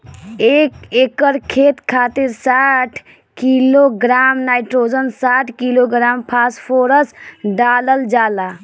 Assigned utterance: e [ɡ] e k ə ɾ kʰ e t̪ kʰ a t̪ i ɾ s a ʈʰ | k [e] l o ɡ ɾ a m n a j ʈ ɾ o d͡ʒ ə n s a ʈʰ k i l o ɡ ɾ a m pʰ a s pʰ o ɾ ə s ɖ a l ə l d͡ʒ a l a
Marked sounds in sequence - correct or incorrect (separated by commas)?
incorrect, incorrect